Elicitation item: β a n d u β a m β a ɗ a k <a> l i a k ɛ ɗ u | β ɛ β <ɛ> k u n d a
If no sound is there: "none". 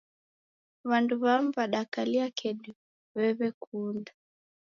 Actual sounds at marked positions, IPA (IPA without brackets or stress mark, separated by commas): a, ɛ